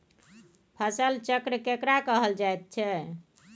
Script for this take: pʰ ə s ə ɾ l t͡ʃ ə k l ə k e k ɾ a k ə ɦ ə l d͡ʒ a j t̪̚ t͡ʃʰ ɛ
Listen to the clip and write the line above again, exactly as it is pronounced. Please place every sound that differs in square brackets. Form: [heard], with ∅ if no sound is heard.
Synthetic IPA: pʰ ə s ə [∅] l t͡ʃ ə k [ɾ] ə k e k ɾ a k ə ɦ ə l d͡ʒ a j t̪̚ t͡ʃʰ ɛ